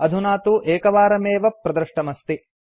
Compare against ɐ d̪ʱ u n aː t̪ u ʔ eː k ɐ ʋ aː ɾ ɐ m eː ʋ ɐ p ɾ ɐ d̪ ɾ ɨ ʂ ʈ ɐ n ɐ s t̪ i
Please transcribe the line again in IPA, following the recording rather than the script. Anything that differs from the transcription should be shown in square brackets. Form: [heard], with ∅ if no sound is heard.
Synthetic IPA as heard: ɐ d̪ʱ u n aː t̪ u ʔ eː k ɐ ʋ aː ɾ ɐ m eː ʋ ɐ p ɾ ɐ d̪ ɾ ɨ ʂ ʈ ɐ [m] ɐ s t̪ i